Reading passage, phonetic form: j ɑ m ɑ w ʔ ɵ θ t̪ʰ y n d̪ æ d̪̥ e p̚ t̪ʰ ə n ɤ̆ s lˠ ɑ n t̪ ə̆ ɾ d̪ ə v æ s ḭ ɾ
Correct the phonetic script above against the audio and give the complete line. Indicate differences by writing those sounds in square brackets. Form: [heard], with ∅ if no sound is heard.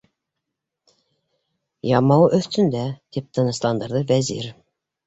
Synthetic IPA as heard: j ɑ m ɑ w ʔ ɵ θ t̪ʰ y n d̪ æ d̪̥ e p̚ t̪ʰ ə n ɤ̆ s lˠ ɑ n [d̪] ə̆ ɾ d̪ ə v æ [z] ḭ ɾ